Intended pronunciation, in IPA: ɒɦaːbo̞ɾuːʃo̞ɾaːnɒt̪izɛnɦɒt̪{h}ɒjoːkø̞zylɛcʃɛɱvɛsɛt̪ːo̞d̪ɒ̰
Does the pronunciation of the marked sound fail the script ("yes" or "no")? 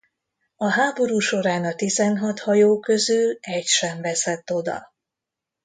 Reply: no